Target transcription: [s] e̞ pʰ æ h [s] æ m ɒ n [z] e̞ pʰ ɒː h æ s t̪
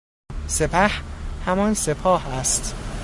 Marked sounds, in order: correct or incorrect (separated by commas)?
correct, incorrect, incorrect